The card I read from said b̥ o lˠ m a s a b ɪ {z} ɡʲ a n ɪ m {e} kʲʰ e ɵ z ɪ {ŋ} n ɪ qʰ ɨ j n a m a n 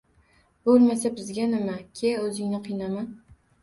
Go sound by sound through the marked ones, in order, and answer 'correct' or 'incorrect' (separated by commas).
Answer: correct, incorrect, correct